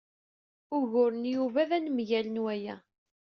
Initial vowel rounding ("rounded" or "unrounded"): rounded